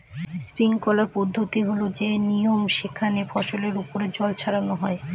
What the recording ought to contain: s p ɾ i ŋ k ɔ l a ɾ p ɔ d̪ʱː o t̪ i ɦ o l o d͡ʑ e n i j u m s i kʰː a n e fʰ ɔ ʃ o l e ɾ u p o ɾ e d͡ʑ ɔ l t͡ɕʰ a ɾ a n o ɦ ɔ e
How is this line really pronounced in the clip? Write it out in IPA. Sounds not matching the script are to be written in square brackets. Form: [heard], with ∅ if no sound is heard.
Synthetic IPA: s p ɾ i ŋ k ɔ l a ɾ p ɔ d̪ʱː o t̪ i ɦ o l o d͡ʑ e n i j [o] m [ʃ] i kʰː a n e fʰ ɔ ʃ o l e ɾ u p o ɾ e d͡ʑ ɔ l t͡ɕʰ a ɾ a n o ɦ ɔ e